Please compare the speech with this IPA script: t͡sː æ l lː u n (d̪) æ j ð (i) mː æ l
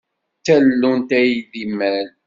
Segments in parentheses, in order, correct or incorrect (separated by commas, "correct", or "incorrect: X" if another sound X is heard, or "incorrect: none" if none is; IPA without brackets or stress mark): incorrect: t̪, correct